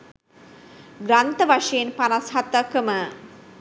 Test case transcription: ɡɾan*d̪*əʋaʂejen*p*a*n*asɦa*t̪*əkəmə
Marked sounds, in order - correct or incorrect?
incorrect, correct, correct, correct

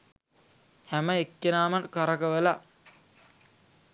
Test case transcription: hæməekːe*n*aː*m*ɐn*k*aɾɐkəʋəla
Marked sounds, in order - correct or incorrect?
correct, correct, correct

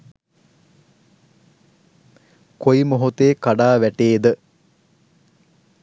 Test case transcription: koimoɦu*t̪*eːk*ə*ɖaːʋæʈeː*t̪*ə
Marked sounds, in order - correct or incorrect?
correct, incorrect, incorrect

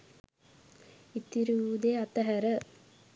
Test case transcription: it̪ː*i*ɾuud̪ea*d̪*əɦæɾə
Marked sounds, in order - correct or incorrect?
correct, incorrect

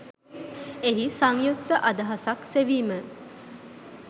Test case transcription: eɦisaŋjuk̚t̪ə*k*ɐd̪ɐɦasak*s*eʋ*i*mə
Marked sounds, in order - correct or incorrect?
incorrect, correct, incorrect

